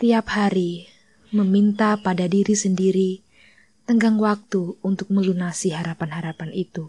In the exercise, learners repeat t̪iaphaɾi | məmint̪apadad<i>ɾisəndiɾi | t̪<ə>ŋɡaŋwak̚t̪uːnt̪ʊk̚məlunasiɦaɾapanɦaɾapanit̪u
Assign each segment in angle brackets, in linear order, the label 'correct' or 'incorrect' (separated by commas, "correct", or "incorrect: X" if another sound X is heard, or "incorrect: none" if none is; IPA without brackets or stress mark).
correct, correct